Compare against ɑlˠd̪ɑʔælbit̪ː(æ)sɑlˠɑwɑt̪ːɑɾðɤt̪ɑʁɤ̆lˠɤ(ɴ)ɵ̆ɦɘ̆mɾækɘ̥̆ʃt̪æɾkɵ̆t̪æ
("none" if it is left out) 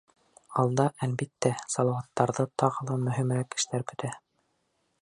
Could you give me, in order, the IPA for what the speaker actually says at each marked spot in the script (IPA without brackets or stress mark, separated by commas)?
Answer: æ, m